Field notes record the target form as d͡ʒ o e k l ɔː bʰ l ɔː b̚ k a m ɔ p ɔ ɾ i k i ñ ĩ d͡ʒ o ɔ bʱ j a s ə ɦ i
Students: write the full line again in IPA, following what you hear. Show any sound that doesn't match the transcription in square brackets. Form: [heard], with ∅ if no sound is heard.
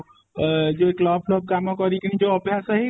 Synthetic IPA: d͡ʒ o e k l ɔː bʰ l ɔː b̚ k a m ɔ [k] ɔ ɾ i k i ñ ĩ d͡ʒ o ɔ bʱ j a s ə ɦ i